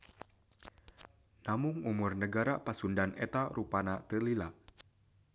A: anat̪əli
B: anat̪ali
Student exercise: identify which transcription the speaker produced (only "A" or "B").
A